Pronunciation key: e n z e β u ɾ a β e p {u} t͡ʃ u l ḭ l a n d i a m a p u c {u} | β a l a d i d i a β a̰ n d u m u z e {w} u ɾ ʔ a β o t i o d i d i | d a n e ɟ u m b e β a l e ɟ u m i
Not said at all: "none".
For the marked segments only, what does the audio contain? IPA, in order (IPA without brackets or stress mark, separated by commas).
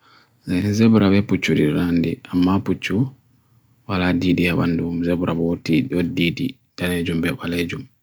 u, u, β